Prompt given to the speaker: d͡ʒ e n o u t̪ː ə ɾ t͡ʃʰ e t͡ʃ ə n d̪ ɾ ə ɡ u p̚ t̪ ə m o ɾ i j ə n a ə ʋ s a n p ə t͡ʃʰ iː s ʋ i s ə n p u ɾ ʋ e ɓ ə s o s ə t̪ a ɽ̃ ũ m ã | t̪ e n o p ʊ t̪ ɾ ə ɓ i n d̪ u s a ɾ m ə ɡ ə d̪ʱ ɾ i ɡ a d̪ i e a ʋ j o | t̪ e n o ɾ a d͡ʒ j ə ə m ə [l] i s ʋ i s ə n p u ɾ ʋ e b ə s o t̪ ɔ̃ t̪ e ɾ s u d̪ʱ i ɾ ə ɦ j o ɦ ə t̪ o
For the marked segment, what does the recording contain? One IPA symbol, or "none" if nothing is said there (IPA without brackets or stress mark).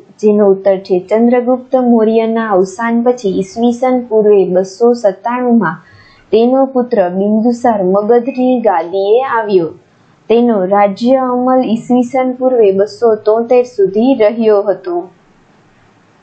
l